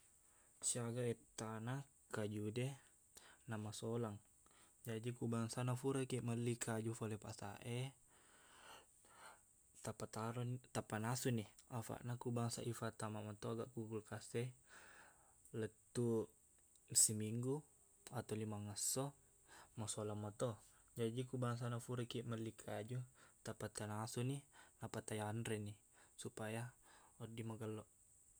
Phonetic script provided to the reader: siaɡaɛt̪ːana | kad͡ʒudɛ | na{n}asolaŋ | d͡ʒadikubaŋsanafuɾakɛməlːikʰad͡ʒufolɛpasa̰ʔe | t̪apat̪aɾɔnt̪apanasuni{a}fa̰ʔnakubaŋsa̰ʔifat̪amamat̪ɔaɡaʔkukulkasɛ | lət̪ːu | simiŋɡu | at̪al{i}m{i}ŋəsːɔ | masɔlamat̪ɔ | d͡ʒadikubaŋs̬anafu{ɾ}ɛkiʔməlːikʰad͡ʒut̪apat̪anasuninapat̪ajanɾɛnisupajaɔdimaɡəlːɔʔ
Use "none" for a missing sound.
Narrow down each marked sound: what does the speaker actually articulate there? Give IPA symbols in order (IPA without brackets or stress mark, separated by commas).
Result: m, a, i, a, ɾ